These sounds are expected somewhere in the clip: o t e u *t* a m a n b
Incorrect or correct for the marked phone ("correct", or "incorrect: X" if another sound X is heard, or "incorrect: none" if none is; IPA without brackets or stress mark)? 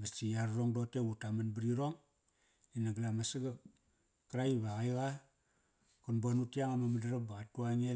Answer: correct